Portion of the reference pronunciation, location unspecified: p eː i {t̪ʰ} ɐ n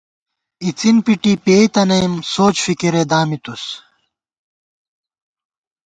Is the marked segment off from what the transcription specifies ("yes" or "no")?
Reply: yes